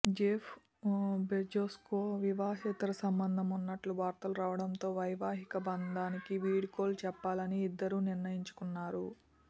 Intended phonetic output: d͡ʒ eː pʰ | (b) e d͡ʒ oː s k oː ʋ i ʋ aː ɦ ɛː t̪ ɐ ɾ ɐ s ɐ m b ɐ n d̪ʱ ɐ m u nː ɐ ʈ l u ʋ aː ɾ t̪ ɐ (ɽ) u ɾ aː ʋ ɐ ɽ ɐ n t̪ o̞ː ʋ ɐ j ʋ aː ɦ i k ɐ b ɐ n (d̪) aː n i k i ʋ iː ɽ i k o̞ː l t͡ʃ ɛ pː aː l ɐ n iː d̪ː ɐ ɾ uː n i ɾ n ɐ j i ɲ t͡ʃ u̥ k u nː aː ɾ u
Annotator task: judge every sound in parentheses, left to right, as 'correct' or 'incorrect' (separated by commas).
correct, incorrect, correct